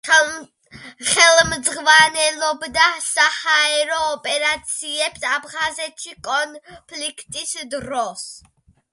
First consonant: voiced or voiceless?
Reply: voiceless